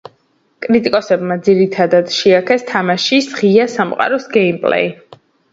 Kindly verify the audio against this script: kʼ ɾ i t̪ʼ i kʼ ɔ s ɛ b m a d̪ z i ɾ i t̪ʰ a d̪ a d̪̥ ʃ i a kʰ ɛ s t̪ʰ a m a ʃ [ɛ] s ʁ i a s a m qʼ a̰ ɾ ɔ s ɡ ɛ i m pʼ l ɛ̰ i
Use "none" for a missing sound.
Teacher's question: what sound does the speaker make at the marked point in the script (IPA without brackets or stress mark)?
i